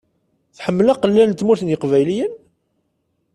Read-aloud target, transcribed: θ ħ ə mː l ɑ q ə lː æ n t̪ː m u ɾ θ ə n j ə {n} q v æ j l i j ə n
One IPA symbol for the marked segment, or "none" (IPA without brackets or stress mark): none